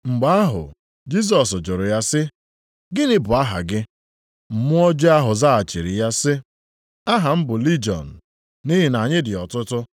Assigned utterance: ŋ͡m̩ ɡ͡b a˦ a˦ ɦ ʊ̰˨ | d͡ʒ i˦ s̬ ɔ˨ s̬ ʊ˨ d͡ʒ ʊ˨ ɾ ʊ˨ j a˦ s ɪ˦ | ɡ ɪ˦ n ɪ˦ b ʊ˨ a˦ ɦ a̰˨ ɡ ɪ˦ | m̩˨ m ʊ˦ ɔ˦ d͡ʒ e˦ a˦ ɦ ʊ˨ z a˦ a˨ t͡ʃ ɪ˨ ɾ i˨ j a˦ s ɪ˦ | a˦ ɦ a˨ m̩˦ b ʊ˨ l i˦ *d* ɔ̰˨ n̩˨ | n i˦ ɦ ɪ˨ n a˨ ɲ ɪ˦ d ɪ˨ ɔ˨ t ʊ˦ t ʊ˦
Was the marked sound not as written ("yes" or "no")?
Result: yes